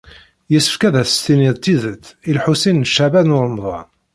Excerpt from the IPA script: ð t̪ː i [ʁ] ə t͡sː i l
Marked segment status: incorrect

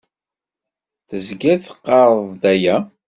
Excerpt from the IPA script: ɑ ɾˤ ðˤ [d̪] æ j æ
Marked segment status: correct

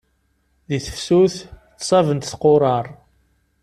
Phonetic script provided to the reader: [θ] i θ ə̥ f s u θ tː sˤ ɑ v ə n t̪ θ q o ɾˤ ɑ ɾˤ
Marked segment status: incorrect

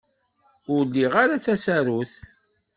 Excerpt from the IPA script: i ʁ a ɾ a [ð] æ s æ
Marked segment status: incorrect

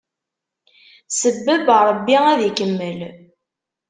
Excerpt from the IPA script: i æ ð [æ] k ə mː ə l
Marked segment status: incorrect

